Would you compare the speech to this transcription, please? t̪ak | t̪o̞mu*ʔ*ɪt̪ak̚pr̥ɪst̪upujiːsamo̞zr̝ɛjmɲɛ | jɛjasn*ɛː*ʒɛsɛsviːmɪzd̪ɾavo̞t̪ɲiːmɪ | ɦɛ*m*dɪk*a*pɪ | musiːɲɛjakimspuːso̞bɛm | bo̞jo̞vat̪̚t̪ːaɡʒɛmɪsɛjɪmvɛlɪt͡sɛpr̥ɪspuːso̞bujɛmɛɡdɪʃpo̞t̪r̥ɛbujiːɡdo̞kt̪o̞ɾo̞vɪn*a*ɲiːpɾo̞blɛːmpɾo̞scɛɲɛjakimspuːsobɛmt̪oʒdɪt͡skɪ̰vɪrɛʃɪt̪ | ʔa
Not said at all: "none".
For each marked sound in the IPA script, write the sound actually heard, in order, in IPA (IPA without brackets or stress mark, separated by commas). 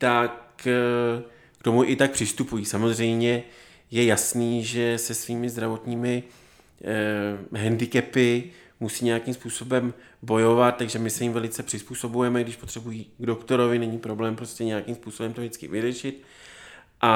ʔ, iː, n, ɛ, ɛ